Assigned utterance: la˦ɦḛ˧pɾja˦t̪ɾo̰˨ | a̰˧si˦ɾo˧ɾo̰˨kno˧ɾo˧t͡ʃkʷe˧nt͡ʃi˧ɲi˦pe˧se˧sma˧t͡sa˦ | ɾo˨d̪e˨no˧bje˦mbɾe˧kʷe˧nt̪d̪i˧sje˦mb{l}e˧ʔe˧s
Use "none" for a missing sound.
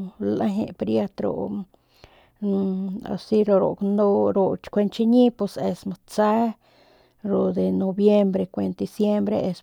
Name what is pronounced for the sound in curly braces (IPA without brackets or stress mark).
ɾ